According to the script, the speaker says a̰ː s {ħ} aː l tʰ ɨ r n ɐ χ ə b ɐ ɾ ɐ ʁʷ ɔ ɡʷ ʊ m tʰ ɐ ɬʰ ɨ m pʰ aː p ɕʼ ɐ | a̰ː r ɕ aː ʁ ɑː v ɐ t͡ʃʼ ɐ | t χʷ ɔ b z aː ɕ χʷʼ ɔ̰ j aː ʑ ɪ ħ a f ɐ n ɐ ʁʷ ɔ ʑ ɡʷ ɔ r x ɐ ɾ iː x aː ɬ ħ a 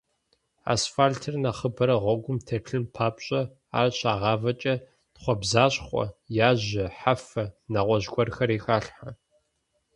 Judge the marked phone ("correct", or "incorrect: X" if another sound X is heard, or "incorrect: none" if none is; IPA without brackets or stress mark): incorrect: f